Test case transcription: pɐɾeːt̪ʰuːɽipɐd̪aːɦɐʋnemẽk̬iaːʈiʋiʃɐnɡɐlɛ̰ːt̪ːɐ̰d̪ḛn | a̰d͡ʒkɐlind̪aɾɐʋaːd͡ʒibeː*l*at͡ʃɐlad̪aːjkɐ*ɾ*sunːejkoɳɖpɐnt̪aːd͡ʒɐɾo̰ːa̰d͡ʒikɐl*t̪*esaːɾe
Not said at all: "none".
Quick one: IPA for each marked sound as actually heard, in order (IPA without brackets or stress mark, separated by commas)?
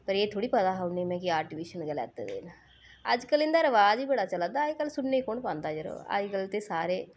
ɽ, l, t̪